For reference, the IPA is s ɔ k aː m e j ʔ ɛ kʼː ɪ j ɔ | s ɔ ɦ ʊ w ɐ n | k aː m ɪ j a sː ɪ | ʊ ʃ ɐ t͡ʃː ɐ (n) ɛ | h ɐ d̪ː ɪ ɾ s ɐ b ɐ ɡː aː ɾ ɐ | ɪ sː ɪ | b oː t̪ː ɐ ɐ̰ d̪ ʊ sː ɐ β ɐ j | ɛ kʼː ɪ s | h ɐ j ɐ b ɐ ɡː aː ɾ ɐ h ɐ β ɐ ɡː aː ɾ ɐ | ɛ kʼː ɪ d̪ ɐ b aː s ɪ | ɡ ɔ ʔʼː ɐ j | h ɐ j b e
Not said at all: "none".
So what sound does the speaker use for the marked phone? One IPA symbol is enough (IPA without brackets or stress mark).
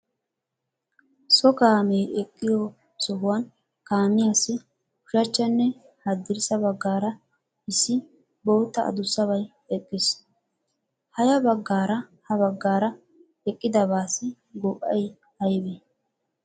nː